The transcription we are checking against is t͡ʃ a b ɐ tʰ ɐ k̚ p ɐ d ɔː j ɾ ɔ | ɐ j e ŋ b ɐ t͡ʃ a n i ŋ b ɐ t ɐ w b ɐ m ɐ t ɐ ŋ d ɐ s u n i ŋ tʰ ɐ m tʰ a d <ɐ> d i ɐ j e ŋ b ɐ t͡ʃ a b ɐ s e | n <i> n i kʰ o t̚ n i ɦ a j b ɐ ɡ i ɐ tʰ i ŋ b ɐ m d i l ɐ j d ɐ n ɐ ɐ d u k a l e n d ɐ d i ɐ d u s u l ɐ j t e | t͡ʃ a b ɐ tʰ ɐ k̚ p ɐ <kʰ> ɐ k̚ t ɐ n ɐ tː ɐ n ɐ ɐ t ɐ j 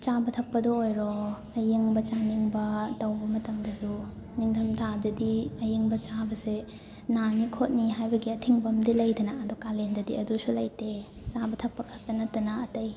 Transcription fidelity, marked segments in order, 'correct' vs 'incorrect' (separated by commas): correct, incorrect, correct